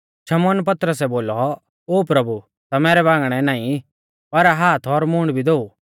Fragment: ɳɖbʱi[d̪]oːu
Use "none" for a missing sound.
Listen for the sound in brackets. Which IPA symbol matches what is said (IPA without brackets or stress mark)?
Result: d̪